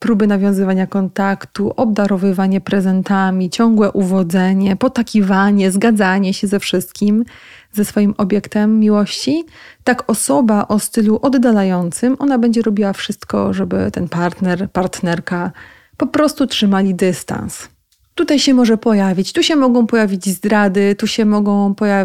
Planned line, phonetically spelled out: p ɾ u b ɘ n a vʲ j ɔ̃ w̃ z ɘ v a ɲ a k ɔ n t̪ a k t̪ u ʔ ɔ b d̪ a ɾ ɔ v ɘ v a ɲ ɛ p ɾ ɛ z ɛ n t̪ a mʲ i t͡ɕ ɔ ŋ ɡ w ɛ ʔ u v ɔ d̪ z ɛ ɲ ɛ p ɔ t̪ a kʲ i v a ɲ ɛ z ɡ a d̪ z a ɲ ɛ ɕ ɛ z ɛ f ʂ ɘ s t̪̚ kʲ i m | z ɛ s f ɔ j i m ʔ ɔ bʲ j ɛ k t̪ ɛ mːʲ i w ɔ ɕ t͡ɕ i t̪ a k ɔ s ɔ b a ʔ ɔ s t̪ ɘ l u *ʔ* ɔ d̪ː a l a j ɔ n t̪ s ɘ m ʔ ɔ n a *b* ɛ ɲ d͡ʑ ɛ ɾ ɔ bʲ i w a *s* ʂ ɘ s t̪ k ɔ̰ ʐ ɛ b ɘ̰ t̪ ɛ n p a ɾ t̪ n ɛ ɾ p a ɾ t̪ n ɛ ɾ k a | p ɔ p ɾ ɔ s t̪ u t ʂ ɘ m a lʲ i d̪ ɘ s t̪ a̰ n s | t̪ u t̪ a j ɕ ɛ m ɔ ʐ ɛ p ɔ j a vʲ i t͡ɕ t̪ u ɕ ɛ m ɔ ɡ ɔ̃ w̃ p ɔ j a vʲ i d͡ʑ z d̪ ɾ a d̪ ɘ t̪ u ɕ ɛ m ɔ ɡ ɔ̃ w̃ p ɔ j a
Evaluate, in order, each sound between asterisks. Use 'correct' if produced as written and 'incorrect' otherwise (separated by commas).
correct, correct, incorrect